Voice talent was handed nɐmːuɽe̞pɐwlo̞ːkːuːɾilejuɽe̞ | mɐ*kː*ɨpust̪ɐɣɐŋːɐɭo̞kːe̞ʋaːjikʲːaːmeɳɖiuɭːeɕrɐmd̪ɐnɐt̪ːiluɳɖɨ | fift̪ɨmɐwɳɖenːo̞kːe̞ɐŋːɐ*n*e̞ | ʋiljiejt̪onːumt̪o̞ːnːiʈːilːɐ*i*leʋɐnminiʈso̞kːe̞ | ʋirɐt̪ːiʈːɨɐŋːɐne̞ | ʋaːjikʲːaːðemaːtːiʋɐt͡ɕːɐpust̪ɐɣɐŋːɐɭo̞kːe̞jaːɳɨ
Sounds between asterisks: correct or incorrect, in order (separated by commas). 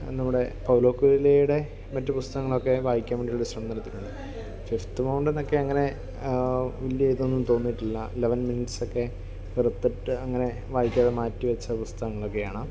incorrect, correct, correct